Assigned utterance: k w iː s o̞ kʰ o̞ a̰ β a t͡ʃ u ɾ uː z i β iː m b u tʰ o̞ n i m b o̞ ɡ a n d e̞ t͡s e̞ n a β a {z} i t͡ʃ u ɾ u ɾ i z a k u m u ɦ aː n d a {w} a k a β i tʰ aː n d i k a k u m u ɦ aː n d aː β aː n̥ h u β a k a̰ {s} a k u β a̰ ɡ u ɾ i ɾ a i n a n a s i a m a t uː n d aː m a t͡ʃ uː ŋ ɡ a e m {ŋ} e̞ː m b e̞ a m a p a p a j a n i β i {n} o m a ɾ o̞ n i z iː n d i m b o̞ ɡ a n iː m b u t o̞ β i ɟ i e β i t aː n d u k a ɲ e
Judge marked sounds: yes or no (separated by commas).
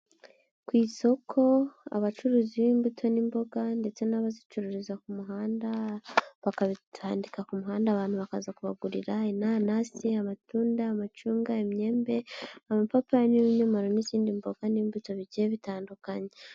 yes, no, no, no, no